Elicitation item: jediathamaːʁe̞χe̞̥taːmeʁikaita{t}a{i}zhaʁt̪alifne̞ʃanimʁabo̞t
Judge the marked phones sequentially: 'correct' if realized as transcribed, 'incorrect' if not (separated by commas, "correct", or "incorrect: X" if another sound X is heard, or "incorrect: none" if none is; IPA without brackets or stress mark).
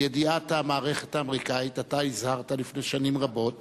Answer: correct, correct